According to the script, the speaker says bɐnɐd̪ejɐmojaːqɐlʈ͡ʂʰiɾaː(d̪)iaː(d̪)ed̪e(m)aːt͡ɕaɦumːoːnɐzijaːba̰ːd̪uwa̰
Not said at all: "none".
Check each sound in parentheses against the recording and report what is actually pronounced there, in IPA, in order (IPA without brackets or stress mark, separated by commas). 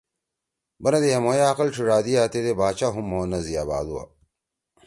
d̪, t̪, b